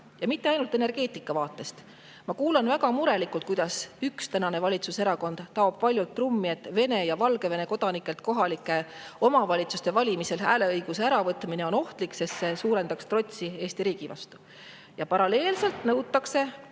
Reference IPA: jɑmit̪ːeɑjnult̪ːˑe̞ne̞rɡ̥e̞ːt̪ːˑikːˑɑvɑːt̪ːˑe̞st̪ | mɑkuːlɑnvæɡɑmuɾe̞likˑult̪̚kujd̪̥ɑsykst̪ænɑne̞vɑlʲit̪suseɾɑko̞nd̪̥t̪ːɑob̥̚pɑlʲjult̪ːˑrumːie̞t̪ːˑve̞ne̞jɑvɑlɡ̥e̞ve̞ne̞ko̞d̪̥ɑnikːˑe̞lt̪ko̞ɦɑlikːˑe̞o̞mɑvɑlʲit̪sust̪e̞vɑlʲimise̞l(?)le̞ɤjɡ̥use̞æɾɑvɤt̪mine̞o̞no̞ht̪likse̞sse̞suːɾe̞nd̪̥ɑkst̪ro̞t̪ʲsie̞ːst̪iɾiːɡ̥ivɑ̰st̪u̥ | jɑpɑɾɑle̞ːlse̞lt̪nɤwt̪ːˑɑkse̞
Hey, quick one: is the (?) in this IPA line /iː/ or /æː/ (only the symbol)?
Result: æː